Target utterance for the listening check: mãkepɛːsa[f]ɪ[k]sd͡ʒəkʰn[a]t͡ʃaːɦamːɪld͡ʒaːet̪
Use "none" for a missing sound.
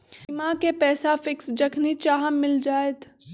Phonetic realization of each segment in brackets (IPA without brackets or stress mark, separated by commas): f, k, i